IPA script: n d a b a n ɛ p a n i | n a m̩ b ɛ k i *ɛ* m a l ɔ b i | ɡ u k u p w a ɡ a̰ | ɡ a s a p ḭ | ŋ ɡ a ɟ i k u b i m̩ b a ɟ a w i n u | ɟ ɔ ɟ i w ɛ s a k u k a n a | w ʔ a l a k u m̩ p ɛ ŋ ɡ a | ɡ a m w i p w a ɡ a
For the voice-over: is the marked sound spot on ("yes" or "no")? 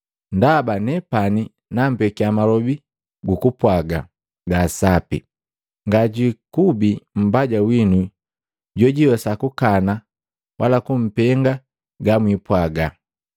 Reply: no